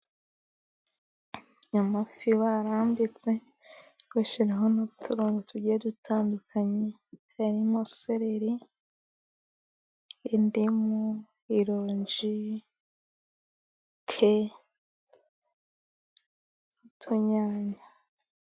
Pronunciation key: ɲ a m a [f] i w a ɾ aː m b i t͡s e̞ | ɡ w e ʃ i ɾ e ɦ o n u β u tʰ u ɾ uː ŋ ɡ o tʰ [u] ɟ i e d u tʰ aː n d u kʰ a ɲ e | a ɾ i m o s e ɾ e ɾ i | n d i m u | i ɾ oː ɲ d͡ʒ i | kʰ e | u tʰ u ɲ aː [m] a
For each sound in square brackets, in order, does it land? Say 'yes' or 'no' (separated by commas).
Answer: yes, yes, no